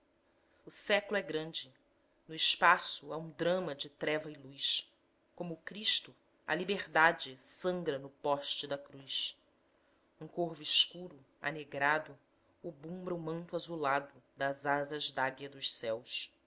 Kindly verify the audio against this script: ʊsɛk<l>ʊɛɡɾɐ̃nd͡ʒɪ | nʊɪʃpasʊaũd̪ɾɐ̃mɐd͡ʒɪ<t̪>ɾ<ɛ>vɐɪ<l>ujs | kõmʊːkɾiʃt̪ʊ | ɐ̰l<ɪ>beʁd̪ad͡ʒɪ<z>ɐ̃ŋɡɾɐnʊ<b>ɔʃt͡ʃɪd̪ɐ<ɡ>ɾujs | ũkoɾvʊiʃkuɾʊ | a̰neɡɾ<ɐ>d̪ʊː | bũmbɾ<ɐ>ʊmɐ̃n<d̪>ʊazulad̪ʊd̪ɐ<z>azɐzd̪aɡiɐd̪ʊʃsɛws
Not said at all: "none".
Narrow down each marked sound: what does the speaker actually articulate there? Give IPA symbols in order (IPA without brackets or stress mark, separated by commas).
l, t̪, ɛ, l, i, s, p, k, a, ɐ, t̪, z